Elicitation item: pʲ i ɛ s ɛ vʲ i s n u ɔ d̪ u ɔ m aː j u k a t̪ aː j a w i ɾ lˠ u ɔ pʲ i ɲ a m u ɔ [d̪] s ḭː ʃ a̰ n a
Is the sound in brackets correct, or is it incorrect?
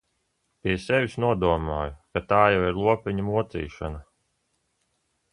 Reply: incorrect